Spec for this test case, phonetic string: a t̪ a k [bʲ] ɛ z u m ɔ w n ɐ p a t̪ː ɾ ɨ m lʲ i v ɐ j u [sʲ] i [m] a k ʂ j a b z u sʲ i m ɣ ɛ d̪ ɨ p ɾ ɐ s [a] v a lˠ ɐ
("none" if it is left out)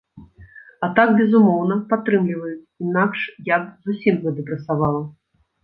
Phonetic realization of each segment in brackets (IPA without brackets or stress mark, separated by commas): bʲ, t͡sʲ, n, a